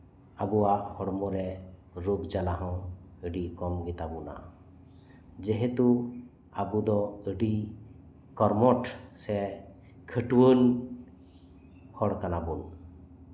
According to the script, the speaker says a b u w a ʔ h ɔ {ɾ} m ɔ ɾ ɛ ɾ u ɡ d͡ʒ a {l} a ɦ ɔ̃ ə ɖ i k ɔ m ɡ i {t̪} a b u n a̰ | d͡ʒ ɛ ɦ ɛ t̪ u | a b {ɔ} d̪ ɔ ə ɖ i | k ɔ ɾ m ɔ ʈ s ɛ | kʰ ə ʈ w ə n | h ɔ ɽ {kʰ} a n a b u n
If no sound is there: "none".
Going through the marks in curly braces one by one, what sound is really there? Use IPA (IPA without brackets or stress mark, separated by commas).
ɽ, l, t̪, u, k